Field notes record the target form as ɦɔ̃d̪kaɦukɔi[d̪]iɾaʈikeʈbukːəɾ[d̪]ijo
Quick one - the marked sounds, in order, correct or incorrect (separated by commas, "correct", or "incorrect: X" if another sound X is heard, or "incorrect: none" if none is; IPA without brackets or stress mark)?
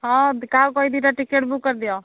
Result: correct, correct